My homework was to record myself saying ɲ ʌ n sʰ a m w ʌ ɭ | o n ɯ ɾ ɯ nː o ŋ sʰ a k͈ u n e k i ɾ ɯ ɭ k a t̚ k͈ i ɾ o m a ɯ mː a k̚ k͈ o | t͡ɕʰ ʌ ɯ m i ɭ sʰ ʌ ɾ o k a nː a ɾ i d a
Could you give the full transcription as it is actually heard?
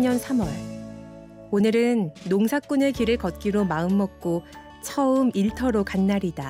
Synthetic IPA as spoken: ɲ ʌ n sʰ a m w ʌ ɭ | o n ɯ ɾ ɯ nː o ŋ sʰ a k͈ u n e k i ɾ ɯ ɭ k ʌ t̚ k͈ i ɾ o m a ɯ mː ʌ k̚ k͈ o | t͡ɕʰ ʌ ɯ m i ɭ tʰ ʌ ɾ o k a nː a ɾ i d a